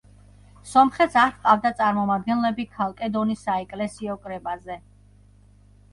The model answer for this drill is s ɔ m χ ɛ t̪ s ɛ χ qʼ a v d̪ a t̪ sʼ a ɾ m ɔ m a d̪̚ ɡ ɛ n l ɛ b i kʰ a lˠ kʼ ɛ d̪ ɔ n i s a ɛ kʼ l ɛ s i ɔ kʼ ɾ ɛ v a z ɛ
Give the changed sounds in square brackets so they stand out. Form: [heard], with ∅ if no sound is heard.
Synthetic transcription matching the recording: s ɔ m χ ɛ t̪ s [a] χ qʼ a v d̪ a t̪ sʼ a ɾ m ɔ m a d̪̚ ɡ ɛ n l ɛ b i kʰ a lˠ kʼ ɛ d̪ ɔ n i s a ɛ kʼ l ɛ s i ɔ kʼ ɾ ɛ [b] a z ɛ